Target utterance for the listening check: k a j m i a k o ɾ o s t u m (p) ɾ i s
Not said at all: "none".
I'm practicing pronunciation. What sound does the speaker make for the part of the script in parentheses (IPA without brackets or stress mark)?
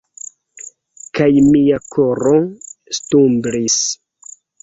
b